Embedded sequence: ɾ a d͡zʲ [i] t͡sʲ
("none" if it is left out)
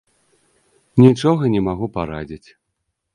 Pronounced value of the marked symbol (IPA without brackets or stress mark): i